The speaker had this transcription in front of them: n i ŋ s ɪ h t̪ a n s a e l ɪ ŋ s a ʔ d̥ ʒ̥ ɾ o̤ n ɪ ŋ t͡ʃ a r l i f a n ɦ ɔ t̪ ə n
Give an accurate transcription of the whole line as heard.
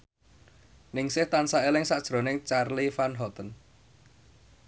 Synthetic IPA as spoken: n ɪ ŋ s ɪ h t̪ a n s a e l ɪ ŋ s a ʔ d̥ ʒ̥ ɾ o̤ n ɪ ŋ t͡ʃ a r l i f a n ɦ ɔ t̪ ə n